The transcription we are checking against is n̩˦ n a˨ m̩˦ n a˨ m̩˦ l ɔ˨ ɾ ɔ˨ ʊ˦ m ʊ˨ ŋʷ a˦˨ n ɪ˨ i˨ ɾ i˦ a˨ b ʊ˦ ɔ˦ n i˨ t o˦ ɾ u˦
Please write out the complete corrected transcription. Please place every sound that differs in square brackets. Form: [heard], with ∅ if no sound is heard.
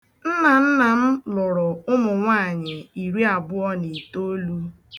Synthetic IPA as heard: n̩˦ n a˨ [n̩˦] n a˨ m̩˦ l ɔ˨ ɾ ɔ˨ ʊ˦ m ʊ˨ ŋʷ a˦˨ [ɲ] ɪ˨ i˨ ɾ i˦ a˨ b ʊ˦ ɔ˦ n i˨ t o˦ [l] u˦